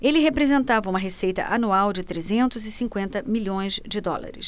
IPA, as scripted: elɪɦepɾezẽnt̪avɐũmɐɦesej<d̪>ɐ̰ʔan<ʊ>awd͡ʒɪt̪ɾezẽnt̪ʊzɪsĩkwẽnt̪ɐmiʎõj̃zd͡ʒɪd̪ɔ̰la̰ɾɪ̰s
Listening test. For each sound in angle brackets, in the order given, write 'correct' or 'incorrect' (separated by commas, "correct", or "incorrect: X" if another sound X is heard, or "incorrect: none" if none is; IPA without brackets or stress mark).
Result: incorrect: t̪, incorrect: u